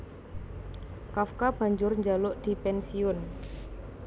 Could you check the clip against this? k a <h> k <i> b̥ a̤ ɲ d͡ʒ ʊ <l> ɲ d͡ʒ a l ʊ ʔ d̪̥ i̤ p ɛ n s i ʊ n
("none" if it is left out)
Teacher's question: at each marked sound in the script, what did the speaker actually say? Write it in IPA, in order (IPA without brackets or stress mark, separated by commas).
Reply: f, a, r